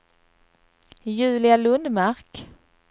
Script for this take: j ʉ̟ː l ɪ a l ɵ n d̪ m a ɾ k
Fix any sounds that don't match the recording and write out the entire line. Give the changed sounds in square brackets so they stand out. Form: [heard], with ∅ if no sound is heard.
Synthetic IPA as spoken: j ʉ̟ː l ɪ a l ɵ n d̪ m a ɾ k